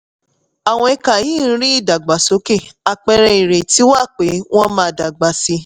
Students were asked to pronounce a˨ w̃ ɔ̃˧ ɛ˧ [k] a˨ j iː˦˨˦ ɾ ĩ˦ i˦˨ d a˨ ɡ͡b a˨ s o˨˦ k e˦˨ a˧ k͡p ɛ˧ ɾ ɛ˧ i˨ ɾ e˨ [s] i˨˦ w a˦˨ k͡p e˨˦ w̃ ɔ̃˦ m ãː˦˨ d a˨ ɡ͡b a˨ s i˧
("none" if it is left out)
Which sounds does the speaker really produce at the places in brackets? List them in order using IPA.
k, t

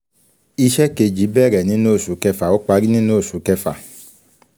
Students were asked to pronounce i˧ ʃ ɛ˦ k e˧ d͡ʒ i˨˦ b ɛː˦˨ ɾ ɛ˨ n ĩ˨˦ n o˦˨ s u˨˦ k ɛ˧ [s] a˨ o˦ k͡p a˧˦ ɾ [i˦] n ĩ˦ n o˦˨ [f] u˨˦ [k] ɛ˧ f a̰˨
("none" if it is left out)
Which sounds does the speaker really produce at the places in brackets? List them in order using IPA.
f, i˦, s, k

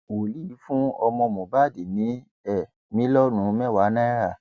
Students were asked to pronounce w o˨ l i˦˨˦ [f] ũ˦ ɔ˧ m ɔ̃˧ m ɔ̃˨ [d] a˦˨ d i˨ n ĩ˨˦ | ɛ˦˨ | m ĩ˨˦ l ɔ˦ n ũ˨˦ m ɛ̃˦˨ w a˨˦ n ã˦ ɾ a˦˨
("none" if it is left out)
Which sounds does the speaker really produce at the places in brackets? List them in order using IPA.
f, b

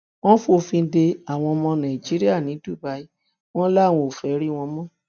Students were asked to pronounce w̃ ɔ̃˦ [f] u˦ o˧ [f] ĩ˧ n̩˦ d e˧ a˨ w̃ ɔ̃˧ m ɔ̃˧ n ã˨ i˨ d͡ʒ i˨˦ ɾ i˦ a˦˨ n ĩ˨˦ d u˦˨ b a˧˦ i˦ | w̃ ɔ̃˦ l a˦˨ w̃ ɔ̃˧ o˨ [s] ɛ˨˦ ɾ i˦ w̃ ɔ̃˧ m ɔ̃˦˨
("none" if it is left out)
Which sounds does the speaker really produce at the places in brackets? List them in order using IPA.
f, f, f

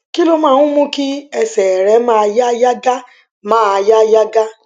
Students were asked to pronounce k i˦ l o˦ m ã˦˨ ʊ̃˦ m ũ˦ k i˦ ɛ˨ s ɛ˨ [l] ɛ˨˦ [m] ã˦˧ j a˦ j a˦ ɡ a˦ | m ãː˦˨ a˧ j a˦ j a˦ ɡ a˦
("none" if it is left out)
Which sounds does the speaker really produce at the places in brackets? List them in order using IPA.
ɾ, m

